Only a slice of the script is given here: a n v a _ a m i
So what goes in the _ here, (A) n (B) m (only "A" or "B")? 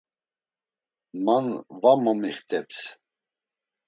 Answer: B